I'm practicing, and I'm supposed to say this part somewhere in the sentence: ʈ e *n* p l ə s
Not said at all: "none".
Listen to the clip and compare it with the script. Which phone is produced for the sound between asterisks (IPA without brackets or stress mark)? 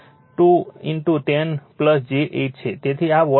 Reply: n